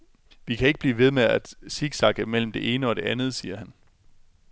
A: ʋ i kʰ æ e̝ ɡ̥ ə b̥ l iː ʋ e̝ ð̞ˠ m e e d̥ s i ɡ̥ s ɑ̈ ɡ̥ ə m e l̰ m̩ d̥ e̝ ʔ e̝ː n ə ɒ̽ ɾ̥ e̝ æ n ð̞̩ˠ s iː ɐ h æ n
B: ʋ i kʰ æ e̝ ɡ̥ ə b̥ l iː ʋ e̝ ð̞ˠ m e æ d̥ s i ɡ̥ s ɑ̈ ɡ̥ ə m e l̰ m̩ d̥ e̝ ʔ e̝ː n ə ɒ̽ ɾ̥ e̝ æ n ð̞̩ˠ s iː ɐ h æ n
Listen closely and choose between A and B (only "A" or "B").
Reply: B